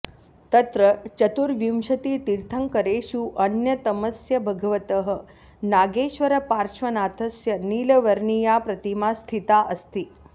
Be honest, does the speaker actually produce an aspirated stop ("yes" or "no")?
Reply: yes